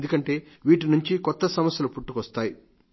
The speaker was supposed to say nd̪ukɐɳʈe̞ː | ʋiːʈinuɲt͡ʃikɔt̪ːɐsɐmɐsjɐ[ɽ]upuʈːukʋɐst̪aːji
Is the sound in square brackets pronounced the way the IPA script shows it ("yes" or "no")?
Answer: no